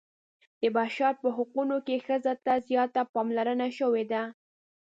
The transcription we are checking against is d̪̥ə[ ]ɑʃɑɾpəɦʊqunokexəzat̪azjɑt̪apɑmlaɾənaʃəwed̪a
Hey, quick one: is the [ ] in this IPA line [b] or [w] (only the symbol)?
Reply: b